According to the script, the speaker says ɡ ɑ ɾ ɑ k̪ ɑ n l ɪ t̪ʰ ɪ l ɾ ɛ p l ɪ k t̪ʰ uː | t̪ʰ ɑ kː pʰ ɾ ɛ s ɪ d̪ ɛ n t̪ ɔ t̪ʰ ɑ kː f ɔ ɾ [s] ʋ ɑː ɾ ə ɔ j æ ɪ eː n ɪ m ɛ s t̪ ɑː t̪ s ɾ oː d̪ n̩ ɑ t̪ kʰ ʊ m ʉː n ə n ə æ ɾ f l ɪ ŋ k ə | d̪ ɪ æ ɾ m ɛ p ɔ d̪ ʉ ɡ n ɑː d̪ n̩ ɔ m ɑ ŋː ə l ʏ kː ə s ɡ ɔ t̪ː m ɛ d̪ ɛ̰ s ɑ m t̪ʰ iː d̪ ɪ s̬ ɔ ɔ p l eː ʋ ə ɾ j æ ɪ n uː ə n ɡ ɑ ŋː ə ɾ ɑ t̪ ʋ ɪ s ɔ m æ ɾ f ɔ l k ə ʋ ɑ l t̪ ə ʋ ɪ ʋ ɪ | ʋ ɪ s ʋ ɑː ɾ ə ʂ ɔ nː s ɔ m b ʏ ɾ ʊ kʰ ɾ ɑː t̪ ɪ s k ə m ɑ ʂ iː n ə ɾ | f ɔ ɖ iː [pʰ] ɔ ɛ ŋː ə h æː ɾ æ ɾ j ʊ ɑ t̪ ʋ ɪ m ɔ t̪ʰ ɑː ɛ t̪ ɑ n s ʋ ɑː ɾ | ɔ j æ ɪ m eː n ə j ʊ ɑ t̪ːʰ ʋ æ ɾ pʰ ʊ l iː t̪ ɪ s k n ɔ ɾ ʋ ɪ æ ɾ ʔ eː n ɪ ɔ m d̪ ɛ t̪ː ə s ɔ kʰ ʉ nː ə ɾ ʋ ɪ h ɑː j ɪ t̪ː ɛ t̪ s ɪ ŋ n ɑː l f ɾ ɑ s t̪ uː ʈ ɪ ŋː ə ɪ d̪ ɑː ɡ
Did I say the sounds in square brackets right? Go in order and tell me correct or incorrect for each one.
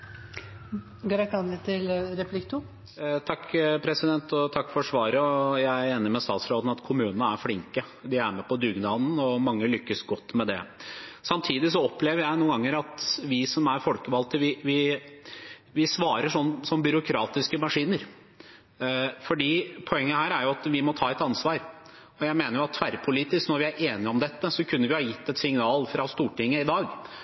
incorrect: ʂ, correct

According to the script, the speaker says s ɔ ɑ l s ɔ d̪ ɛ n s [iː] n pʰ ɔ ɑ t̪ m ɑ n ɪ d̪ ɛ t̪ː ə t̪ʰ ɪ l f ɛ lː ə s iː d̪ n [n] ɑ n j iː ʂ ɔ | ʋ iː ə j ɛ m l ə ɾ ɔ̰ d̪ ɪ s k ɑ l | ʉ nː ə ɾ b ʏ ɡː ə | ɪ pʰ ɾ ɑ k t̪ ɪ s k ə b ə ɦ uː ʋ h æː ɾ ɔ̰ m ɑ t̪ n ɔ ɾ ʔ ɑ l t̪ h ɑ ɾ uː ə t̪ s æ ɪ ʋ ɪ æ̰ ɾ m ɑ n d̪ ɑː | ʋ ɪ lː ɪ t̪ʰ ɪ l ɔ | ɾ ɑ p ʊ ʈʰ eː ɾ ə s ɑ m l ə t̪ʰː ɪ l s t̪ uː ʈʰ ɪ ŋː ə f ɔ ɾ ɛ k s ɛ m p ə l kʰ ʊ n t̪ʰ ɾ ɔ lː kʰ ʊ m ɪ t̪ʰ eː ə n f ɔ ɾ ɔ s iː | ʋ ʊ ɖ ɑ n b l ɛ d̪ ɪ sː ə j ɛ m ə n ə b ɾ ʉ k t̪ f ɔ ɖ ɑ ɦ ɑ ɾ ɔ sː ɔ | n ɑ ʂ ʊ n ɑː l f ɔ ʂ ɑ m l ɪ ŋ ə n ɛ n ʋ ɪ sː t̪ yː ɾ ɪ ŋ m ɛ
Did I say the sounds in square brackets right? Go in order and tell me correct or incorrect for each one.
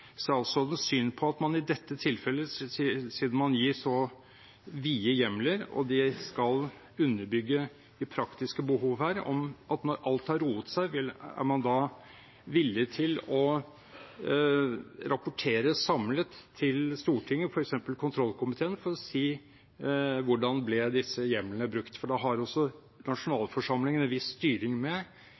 incorrect: yː, incorrect: m

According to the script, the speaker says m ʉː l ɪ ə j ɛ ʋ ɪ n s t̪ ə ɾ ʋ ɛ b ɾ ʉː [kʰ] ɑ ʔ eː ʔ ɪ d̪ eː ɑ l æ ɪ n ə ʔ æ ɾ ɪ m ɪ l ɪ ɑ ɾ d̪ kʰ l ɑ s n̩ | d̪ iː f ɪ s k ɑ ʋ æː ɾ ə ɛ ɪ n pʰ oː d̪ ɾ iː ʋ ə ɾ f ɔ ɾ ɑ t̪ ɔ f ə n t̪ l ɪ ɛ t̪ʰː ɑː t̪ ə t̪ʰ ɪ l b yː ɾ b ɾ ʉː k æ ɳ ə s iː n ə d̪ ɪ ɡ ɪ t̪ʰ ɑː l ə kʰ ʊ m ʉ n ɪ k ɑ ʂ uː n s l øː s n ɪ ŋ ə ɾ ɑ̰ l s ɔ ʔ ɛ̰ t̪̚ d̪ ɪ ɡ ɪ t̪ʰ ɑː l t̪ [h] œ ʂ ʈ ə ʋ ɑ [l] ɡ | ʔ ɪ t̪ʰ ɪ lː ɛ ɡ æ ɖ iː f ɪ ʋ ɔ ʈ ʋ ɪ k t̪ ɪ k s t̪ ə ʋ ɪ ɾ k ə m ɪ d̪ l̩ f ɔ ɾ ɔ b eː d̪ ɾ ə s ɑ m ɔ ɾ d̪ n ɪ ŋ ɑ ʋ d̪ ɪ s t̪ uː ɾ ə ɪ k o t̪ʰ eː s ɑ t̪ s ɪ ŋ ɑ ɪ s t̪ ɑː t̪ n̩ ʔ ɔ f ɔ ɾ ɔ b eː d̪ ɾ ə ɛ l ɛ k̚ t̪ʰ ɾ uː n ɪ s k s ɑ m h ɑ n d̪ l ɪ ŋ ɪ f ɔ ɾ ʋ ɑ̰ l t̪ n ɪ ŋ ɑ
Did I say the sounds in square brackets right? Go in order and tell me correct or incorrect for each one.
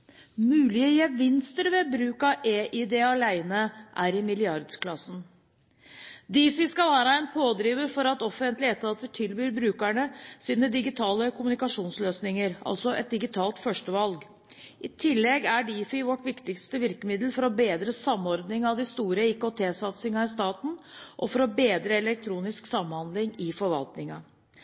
incorrect: k, incorrect: f, correct

